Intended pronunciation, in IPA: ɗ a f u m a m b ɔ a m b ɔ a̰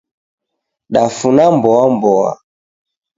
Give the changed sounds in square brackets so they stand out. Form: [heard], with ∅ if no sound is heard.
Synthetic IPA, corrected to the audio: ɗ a f u [n] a m b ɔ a m b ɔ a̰